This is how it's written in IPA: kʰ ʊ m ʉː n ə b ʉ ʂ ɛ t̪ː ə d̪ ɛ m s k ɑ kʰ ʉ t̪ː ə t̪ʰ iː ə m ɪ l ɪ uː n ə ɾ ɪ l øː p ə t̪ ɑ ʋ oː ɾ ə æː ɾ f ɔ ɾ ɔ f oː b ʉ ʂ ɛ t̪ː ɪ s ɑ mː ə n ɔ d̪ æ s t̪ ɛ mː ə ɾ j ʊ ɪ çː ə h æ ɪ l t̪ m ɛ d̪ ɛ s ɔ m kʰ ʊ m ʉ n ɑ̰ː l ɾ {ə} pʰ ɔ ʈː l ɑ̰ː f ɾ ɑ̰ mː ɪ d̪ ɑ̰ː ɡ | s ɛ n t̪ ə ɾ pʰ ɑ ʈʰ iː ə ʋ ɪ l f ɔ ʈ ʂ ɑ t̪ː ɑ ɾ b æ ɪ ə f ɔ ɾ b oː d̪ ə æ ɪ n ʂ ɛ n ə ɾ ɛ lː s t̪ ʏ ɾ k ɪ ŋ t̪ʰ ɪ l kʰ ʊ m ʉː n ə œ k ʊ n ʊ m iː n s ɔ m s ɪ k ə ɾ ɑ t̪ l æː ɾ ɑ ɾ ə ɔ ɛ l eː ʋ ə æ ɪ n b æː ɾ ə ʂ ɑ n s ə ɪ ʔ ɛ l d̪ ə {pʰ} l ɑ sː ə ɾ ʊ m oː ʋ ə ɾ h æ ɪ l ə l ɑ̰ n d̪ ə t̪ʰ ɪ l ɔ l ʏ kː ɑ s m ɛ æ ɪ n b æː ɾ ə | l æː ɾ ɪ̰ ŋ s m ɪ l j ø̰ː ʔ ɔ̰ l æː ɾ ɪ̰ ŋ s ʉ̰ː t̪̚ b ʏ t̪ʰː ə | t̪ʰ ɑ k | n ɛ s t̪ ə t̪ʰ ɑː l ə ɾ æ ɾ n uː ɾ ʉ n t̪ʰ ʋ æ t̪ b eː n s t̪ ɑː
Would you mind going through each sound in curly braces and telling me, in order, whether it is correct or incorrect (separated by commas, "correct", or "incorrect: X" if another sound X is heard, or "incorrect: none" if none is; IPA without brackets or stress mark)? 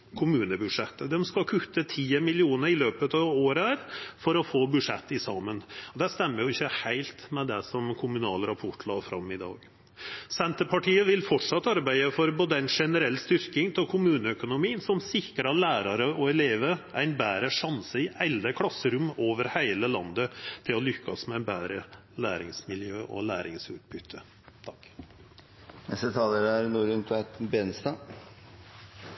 incorrect: ɑ, incorrect: kʰ